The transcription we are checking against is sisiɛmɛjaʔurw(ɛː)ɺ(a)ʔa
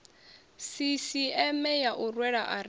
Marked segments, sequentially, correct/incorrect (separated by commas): incorrect, correct